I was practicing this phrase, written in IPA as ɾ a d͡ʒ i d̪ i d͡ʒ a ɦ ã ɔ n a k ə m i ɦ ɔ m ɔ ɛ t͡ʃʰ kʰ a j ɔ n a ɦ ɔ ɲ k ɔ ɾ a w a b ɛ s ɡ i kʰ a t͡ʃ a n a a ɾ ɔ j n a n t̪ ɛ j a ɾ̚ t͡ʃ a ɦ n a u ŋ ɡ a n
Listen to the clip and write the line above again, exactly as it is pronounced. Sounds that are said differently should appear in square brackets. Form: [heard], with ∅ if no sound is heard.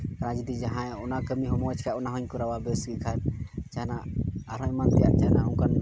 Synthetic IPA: ɾ a d͡ʒ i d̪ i d͡ʒ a ɦ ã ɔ n a k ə m i ɦ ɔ m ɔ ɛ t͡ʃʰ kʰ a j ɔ n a ɦ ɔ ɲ k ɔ ɾ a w a b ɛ s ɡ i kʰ a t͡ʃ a n a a ɾ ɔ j [m] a n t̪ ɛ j a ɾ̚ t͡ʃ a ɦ n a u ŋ [k] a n